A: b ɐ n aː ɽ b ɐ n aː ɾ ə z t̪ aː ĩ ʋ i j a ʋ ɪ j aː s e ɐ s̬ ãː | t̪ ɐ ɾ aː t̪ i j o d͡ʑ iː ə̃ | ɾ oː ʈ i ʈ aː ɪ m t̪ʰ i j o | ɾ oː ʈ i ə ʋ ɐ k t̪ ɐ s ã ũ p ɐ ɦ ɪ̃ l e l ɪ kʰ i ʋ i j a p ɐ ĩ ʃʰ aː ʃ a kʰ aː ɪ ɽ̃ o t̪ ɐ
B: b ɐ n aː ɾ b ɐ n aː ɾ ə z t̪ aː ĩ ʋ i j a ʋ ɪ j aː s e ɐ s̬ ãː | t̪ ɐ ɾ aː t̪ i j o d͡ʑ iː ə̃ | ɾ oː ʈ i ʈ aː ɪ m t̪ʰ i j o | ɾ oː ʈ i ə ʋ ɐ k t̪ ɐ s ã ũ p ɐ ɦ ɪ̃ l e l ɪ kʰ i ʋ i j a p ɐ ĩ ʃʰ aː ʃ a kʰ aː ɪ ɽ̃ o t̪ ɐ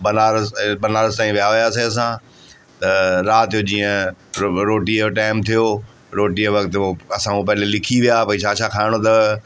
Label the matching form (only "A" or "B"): B